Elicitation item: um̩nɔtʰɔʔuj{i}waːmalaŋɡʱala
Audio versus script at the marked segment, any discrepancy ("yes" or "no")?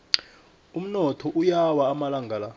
yes